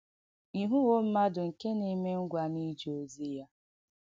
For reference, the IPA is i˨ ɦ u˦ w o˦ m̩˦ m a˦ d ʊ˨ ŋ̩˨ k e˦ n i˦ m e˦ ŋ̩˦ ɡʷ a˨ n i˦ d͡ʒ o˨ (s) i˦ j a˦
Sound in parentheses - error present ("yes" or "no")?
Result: yes